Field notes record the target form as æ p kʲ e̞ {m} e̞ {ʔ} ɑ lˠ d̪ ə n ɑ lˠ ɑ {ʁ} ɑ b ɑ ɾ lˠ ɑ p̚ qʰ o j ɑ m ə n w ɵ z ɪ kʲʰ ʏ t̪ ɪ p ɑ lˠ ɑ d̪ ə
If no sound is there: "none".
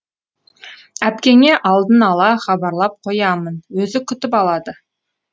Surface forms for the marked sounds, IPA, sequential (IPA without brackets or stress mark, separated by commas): ŋ, ʔ, χ